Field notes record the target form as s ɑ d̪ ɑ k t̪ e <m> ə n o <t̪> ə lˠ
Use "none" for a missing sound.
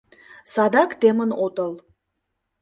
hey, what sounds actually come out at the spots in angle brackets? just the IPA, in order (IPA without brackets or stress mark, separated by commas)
m, t̪